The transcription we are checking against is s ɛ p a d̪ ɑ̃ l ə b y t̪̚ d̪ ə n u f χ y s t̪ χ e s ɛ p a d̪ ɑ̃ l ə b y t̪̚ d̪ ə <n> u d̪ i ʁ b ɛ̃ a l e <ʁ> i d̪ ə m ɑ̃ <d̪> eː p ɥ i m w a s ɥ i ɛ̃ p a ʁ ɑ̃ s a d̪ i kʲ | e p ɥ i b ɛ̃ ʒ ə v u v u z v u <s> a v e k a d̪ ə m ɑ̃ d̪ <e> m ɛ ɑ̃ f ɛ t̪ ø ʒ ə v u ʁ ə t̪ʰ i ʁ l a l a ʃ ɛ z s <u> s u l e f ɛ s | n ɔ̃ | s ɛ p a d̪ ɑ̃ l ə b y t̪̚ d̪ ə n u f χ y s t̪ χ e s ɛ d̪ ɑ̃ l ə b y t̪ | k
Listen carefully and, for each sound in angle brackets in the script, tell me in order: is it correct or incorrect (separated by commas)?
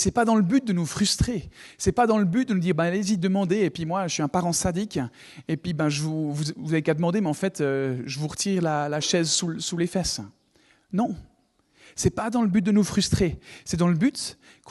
correct, incorrect, correct, incorrect, correct, correct